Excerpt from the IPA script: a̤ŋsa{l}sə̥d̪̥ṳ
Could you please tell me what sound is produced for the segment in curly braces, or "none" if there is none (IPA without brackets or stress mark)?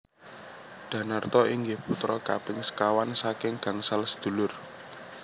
l